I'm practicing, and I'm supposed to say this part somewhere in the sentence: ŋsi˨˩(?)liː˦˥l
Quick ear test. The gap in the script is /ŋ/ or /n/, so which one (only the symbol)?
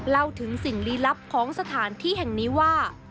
ŋ